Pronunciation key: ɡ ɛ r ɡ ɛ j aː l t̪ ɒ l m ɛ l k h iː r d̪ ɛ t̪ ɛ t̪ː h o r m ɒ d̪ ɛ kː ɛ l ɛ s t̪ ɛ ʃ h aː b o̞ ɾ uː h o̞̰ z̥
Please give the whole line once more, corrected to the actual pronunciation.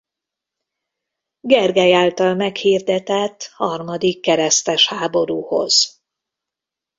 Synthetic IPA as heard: ɡ ɛ r ɡ ɛ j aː l t̪ ɒ l m ɛ k h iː r d̪ ɛ t̪ ɛ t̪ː h ɒ r m ɒ d̪ i kː ɛ ɾ ɛ s t̪ ɛ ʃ h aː b o̞ ɾ uː h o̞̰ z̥